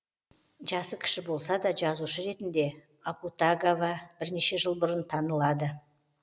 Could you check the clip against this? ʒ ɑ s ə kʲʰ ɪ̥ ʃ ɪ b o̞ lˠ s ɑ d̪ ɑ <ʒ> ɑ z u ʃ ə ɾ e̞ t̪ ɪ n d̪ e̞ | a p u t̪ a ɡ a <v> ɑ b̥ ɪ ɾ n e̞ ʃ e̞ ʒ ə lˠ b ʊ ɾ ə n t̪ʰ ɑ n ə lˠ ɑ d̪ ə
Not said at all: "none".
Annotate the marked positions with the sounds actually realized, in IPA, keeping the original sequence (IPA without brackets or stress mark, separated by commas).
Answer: ʒ, v